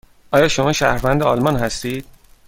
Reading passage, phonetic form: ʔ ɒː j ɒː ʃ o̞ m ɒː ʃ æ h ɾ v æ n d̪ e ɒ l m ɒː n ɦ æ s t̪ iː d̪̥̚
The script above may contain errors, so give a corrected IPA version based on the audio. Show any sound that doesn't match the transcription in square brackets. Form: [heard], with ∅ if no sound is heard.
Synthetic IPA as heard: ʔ ɒː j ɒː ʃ o̞ m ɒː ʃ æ h ɾ v æ n d̪ e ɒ l m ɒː n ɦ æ s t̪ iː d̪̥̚